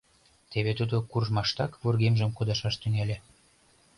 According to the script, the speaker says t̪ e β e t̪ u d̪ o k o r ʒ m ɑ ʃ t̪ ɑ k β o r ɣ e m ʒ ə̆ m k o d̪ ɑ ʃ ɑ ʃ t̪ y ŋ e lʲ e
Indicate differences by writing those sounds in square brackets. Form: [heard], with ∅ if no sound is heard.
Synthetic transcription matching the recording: t̪ e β e t̪ u d̪ o k [u] r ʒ m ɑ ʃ t̪ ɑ k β o r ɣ e m ʒ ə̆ m k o d̪ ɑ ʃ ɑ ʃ t̪ y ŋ e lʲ e

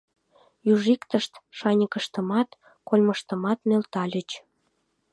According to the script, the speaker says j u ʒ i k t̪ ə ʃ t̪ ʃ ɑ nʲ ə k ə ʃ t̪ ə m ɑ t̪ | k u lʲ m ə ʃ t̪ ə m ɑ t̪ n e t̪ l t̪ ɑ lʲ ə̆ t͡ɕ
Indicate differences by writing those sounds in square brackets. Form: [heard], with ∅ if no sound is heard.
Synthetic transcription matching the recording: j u ʒ i k t̪ ə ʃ t̪ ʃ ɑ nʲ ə k ə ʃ t̪ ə m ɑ t̪ | k [o] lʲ m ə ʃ t̪ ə m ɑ t̪ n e [∅] l t̪ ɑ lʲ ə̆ t͡ɕ

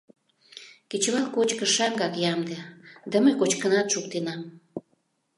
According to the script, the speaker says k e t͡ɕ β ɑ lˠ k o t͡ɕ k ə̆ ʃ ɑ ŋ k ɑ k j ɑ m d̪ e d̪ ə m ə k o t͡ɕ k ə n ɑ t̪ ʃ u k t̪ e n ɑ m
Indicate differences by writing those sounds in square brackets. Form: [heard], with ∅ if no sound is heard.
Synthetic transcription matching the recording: k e t͡ɕ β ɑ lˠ k o t͡ɕ k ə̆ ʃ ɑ ŋ [ɡ] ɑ k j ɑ m d̪ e d̪ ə m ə k o t͡ɕ k ə n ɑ t̪ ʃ u k t̪ e n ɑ m

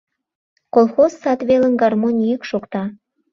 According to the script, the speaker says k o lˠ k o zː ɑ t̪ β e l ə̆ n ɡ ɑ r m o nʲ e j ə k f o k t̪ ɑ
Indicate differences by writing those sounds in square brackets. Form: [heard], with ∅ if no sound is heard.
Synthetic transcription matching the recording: k o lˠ [x] o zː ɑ t̪ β e l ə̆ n ɡ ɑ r m o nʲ [i] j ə k [ʃ] o k t̪ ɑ

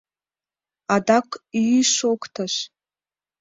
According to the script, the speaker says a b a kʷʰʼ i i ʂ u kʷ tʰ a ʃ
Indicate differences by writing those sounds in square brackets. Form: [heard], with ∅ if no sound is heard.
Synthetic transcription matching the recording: a [d] a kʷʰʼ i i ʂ [o] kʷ tʰ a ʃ

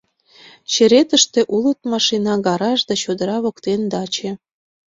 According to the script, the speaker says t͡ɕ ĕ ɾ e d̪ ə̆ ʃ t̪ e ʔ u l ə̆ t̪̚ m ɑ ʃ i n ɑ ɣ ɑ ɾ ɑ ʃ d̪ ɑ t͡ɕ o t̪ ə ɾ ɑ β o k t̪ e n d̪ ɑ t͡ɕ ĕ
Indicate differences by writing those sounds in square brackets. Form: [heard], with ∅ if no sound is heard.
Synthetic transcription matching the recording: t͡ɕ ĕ ɾ e [t̪] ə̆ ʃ t̪ e ʔ u l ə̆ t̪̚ m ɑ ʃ i n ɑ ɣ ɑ ɾ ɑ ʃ d̪ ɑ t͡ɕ o [d̪] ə ɾ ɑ β o k t̪ e n d̪ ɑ t͡ɕ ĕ

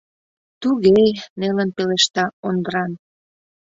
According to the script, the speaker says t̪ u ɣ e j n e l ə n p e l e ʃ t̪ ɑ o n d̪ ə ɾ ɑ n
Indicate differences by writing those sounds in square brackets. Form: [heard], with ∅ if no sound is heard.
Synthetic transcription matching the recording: t̪ u ɣ e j n e l ə n p e l e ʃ t̪ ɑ o n d̪ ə ɾ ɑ n

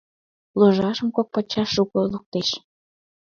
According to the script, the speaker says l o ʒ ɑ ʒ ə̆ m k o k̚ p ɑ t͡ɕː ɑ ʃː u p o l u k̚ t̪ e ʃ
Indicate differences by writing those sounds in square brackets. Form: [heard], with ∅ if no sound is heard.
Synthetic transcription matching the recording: l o ʒ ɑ [ʃ] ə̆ m k o k̚ p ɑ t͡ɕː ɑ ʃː u [k] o l u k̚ t̪ e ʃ

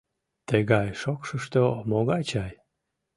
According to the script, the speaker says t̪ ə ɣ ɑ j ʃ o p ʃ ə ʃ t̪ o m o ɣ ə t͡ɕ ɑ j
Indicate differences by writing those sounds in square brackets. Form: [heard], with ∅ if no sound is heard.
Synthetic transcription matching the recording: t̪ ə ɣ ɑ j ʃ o [k] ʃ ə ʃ t̪ o m o ɣ [ɑ] t͡ɕ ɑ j

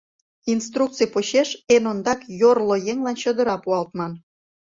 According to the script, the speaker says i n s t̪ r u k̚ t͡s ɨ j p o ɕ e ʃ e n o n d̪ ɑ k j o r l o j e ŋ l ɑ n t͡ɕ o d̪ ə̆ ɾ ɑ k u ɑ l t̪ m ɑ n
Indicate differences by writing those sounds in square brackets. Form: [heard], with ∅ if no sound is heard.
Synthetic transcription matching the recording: i n s t̪ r u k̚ t͡s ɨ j p o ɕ e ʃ e n o n d̪ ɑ k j o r l o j e ŋ l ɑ n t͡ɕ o d̪ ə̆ ɾ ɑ [p] u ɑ l t̪ m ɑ n

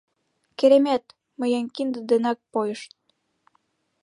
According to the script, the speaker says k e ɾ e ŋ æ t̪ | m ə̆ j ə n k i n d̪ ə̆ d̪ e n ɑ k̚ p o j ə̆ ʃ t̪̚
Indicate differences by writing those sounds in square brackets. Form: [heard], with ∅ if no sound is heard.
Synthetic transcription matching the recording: k e ɾ e [m] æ t̪ | m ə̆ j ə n k i n d̪ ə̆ d̪ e n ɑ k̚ p o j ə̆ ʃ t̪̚

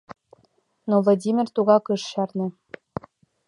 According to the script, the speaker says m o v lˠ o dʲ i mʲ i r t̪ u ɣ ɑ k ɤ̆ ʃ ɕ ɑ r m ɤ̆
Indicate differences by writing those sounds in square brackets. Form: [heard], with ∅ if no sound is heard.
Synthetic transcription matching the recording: [n] o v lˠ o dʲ i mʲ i r t̪ u ɣ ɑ k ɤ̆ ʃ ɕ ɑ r [n] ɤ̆

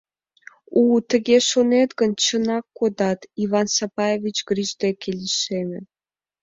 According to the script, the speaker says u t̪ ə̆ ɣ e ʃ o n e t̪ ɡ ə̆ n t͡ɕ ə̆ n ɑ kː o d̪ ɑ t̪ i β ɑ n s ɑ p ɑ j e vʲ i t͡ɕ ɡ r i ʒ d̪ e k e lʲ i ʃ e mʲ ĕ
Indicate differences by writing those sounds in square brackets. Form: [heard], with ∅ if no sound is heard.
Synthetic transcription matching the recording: u t̪ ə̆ ɣ e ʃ o n e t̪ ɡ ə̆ n t͡ɕ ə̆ n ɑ kː o d̪ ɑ t̪ i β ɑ n s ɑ p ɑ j e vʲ i t͡ɕ ɡ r i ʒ d̪ e k e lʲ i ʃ e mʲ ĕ

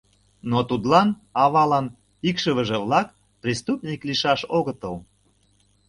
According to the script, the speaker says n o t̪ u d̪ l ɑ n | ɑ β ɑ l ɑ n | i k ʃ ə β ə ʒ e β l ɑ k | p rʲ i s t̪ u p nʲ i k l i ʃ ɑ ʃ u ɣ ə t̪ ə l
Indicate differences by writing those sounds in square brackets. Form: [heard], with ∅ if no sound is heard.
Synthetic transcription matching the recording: n o t̪ u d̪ l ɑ n | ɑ β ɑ l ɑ n | i k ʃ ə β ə ʒ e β l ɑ k | p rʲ i s t̪ u p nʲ i k l i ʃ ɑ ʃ [o] ɣ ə t̪ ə l

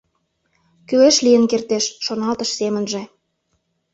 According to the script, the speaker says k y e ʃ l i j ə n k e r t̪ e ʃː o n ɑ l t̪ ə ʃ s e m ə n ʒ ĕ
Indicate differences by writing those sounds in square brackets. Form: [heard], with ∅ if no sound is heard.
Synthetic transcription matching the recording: k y e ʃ l i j ə n k e r t̪ e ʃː o n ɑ l t̪ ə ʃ s e m ə n ʒ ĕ

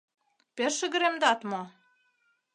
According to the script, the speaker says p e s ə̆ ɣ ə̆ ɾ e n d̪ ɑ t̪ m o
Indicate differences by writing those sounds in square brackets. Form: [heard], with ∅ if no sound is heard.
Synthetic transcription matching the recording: p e [ʃ] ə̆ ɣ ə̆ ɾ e [m] d̪ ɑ t̪ m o

